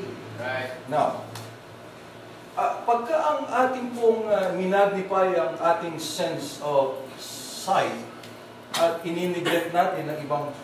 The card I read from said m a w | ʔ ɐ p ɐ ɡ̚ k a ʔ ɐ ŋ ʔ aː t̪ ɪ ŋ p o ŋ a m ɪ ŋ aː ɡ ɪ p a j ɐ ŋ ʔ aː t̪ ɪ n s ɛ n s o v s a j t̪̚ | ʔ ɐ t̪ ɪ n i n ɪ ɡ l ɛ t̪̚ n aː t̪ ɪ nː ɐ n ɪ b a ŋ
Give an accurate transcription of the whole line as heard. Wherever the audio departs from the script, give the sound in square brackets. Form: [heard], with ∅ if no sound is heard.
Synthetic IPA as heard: [n] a w | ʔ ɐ p ɐ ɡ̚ k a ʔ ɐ ŋ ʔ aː t̪ ɪ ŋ p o ŋ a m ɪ [n] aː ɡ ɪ p a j ɐ ŋ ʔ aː t̪ ɪ [ŋ] s ɛ n s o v s a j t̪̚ | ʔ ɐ t̪ ɪ n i n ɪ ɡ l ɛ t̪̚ n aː t̪ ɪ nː ɐ [ŋ] ɪ b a ŋ